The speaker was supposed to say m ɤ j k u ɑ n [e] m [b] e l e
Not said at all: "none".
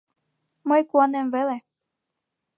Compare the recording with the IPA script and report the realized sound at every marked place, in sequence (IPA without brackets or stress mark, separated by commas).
e, v